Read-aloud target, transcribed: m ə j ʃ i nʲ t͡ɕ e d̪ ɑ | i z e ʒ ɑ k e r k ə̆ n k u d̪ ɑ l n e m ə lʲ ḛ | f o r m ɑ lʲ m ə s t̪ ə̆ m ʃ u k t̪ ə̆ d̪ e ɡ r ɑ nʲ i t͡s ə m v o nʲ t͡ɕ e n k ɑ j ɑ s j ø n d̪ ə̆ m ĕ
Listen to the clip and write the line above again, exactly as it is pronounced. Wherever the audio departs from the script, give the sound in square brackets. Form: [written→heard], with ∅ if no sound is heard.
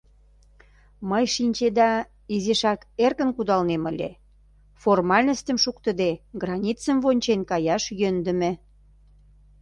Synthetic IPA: m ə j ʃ i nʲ t͡ɕ e d̪ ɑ | i z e [ʒ→ʃ] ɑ k e r k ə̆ n k u d̪ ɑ l n e m ə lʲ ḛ | f o r m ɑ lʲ [m→n] ə s t̪ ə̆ m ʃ u k t̪ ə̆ d̪ e ɡ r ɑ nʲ i t͡s ə m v o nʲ t͡ɕ e n k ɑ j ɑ [s→ʃ] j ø n d̪ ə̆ m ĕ